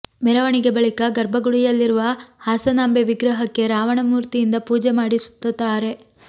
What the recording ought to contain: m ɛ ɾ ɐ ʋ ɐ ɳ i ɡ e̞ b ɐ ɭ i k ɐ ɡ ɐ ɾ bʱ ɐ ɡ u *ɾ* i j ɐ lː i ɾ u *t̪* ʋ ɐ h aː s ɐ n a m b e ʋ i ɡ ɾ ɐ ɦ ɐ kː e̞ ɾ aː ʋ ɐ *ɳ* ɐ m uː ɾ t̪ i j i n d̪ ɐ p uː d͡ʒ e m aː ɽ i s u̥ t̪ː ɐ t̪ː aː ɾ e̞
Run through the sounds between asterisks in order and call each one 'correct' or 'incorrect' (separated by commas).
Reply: incorrect, incorrect, correct